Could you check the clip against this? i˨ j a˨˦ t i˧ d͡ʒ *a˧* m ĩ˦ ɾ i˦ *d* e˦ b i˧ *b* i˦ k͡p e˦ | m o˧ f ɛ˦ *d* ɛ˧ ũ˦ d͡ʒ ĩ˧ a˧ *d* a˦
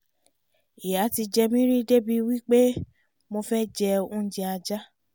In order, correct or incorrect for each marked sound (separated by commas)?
incorrect, correct, incorrect, incorrect, incorrect